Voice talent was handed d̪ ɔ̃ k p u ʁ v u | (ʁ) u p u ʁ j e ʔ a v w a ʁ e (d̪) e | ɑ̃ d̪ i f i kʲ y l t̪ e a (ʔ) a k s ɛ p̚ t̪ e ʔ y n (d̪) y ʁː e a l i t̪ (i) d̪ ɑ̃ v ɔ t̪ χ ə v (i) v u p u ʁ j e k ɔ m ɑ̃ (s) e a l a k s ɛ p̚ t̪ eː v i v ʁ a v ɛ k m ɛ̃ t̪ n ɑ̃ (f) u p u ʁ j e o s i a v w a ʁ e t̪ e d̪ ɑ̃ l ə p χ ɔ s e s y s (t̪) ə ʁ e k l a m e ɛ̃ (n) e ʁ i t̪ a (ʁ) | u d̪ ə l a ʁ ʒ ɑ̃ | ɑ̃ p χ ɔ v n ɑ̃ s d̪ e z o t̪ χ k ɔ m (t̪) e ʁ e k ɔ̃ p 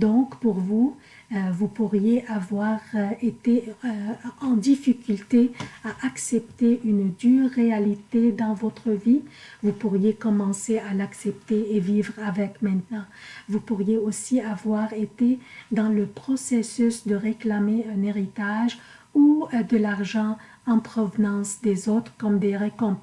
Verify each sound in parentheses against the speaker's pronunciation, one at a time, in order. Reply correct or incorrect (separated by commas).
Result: incorrect, incorrect, correct, correct, incorrect, correct, correct, incorrect, incorrect, correct, incorrect, incorrect